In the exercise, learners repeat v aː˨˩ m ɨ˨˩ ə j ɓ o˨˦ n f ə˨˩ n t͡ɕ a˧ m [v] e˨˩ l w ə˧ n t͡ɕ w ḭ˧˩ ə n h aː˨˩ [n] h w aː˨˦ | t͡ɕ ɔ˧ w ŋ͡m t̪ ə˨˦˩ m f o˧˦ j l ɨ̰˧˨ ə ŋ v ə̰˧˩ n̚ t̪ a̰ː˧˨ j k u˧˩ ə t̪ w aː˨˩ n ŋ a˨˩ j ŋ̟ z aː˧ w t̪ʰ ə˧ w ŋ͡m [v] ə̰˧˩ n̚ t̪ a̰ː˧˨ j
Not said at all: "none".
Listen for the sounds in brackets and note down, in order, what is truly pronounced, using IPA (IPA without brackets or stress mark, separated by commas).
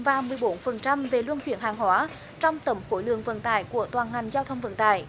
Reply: v, ŋ, v